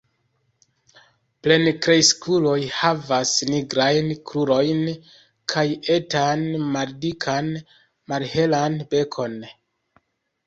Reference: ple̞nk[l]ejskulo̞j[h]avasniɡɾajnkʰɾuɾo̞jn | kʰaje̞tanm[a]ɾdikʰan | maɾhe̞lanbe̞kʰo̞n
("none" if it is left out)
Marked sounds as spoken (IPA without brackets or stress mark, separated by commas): ɾ, h, a